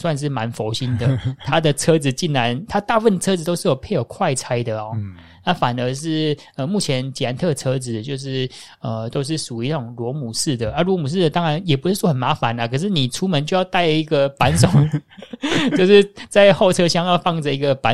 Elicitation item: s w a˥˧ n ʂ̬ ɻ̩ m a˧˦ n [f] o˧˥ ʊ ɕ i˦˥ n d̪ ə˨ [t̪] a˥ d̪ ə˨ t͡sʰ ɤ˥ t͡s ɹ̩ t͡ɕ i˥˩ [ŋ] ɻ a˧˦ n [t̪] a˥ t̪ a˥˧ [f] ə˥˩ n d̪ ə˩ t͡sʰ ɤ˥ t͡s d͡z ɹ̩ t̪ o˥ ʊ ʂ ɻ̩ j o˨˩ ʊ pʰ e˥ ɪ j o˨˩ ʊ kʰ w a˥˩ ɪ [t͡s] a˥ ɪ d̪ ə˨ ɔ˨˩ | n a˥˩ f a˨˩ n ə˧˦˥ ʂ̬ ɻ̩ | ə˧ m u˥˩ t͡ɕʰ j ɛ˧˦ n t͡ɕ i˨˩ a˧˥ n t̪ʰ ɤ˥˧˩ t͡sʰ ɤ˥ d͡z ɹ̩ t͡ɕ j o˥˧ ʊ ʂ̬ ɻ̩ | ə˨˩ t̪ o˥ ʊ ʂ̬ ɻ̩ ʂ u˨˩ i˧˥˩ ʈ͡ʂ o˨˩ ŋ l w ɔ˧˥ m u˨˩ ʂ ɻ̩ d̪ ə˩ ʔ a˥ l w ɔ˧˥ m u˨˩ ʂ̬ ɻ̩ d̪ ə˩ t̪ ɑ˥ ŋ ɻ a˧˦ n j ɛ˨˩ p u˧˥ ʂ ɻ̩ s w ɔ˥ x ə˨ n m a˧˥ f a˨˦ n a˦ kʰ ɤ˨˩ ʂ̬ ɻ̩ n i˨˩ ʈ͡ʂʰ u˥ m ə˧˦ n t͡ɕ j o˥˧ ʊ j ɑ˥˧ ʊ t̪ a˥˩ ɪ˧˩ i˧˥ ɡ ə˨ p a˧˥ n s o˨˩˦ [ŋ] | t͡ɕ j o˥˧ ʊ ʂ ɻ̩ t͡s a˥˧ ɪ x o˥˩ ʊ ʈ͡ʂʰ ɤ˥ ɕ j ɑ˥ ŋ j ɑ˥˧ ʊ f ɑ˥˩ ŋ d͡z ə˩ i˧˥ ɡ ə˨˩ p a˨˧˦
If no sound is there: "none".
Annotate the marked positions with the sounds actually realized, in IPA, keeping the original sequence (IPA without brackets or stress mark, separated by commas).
f, t̪ʰ, n, t̪ʰ, f, t͡sʰ, ŋ